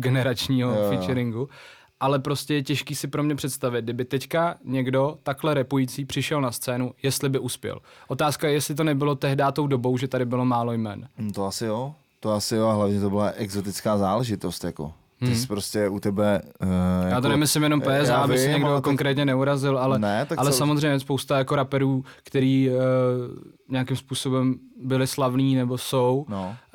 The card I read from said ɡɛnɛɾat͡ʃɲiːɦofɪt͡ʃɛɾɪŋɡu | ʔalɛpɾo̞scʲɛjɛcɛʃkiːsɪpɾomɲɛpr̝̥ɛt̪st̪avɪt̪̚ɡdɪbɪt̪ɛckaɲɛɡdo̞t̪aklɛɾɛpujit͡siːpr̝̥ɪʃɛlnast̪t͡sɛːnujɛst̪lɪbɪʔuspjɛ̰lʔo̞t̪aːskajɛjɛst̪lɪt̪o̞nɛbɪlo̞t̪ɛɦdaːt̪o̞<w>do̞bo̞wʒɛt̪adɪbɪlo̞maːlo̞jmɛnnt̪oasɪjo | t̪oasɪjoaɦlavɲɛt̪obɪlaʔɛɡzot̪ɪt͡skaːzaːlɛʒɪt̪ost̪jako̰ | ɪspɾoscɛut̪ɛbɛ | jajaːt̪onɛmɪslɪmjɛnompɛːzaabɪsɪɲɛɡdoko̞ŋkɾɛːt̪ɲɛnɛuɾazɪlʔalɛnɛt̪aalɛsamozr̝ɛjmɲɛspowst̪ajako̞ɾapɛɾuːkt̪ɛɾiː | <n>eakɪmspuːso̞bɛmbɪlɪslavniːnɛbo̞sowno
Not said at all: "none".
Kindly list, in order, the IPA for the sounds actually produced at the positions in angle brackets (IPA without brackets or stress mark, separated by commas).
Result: w, ɲ